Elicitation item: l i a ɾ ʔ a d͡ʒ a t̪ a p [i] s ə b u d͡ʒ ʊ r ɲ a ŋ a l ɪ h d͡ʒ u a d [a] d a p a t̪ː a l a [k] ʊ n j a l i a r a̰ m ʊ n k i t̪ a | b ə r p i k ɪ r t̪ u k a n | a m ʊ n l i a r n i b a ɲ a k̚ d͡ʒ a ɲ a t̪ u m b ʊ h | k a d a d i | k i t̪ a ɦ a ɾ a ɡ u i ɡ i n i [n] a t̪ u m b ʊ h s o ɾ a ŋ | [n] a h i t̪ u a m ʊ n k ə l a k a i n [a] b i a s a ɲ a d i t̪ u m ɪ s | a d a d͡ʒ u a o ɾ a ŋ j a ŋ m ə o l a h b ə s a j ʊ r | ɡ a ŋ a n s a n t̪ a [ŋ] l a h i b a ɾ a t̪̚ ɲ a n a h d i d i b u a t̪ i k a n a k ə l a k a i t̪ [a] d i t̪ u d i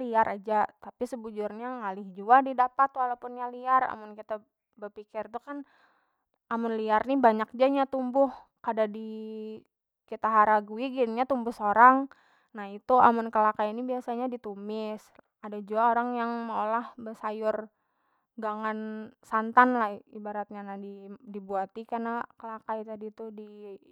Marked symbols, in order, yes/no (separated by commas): yes, no, no, no, yes, no, no, yes